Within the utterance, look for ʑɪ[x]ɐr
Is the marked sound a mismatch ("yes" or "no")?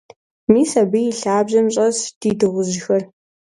no